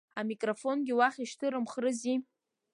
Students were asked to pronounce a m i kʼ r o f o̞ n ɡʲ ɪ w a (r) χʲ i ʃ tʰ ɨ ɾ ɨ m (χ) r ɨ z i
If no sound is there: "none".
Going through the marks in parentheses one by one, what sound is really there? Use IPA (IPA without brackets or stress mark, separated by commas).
none, χ